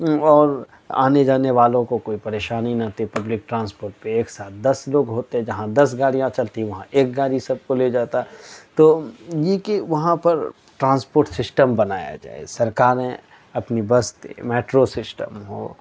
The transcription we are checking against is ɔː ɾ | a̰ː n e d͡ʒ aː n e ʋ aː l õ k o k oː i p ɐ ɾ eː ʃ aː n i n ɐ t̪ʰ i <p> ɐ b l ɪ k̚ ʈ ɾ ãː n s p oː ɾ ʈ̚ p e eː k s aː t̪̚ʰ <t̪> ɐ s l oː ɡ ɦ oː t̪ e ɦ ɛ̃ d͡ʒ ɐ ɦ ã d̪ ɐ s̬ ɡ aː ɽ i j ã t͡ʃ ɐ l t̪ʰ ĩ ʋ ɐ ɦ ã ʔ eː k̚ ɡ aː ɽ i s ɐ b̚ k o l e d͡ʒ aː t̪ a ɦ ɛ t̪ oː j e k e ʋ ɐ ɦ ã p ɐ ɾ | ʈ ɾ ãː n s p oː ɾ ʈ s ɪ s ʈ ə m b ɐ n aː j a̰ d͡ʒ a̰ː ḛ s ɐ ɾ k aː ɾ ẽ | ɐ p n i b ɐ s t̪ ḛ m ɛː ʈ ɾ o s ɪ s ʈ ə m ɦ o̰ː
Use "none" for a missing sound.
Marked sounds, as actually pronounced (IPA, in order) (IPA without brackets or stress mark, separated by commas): p, d̪